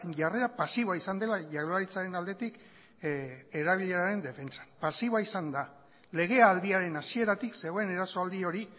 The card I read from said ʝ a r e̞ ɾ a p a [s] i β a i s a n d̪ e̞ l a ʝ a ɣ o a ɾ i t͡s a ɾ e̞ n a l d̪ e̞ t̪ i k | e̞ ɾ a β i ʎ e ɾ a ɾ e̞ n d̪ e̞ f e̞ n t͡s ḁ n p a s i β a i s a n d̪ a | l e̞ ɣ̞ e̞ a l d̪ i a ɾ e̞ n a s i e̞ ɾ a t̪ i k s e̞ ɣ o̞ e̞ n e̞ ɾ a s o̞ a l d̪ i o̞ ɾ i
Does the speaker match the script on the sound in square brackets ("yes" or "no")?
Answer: yes